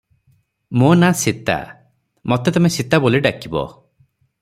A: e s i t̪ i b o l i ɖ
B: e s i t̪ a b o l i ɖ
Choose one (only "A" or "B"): B